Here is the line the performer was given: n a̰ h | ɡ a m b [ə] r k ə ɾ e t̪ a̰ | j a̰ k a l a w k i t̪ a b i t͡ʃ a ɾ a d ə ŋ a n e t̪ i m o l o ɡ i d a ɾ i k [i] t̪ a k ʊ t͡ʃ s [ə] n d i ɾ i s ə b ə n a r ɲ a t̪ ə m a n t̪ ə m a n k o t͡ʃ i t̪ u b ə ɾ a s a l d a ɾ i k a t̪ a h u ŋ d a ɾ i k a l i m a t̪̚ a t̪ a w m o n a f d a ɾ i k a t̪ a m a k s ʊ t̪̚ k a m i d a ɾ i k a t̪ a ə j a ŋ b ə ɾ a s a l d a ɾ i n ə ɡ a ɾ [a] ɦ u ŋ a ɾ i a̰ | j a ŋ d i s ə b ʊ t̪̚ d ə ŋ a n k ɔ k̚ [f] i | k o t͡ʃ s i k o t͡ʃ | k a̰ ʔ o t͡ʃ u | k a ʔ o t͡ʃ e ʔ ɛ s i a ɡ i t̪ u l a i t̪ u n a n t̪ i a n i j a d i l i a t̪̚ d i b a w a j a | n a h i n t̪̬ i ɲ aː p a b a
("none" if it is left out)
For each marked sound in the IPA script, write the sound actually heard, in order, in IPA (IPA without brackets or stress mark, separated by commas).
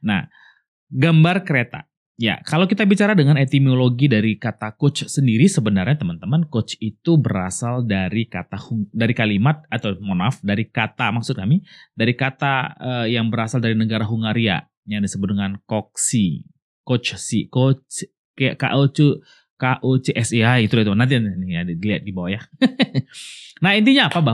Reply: a, a, ə, a, s